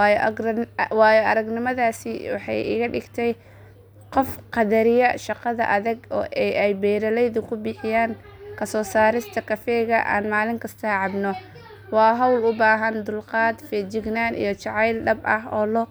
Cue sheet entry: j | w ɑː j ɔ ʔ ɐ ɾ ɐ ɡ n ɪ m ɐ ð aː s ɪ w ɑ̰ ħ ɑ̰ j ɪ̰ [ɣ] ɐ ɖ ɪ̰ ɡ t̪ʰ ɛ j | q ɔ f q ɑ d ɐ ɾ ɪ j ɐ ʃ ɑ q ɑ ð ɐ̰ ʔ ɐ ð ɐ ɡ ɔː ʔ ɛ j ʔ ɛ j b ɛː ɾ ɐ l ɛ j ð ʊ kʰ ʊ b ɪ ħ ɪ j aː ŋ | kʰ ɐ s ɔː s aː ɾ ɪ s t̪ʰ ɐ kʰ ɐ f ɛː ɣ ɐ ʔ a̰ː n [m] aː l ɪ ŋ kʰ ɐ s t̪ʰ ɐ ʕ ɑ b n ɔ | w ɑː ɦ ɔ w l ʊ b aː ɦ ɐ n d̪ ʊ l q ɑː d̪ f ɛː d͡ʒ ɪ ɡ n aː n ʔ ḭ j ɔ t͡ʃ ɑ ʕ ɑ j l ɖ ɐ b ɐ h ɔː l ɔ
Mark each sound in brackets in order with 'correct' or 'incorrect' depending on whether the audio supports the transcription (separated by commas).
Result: correct, correct